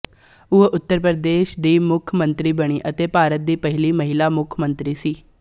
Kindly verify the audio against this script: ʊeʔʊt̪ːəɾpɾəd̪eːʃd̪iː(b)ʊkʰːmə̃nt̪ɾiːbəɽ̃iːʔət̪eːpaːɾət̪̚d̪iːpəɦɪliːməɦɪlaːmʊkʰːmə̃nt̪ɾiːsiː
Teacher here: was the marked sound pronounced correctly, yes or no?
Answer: no